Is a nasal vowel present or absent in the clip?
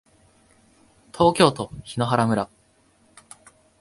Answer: absent